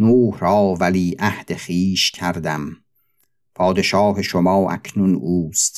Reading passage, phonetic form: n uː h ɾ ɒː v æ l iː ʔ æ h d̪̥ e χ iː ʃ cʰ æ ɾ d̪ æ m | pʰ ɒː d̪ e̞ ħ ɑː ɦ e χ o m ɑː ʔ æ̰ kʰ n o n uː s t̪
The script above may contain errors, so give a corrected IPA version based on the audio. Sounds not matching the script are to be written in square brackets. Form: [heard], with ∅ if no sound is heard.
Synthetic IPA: n uː h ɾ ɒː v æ l iː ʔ æ h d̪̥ e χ iː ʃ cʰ æ ɾ d̪ æ m | pʰ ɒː d̪ e̞ [ʃ] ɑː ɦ e [ʃ] o m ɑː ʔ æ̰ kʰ n [u] n uː s t̪